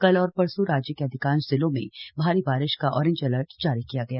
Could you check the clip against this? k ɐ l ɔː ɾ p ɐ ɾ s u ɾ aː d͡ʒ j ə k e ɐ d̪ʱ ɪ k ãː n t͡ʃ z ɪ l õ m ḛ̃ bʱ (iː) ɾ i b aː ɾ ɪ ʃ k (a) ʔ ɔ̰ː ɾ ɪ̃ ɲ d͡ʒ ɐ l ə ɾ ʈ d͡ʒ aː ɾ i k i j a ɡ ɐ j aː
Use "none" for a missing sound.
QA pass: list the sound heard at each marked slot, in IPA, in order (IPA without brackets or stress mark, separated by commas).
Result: aː, a